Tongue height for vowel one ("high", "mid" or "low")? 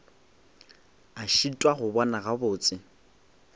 low